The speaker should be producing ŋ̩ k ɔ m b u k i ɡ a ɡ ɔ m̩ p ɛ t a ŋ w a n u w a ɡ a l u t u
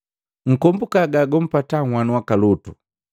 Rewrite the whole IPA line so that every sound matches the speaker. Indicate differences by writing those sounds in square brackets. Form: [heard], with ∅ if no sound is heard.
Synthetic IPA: ŋ̩ k ɔ m b u k [a] ɡ a ɡ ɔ m̩ p [a] t a ŋ w a n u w a [k] a l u t u